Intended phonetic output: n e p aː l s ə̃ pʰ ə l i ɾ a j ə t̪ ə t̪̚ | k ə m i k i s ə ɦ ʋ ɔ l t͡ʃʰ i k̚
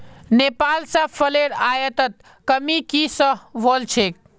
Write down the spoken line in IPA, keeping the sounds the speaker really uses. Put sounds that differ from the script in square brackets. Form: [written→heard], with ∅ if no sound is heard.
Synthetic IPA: n e p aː l s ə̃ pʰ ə l [i→e] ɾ a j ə t̪ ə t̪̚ | k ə m i k i s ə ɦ ʋ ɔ l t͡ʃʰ [i→e] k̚